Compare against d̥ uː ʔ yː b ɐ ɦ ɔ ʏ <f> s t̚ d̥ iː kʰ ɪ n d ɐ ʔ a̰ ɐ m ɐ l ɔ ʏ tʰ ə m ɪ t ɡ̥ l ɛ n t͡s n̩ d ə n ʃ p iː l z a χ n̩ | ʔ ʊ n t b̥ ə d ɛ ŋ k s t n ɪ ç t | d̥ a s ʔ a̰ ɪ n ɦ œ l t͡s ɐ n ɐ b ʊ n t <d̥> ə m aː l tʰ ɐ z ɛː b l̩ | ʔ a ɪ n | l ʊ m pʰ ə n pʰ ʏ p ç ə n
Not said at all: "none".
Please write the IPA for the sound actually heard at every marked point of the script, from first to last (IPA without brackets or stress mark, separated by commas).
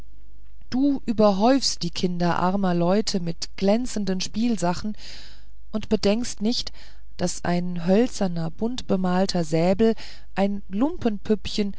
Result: f, b̥